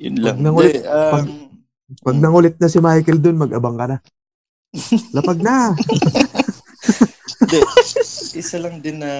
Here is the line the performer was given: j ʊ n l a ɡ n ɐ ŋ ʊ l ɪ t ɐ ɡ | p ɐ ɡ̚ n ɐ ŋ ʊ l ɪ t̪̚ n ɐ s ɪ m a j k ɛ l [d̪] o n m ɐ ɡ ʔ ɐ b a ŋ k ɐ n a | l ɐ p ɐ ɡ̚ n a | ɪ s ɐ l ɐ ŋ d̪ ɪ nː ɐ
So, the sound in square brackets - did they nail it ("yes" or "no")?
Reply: yes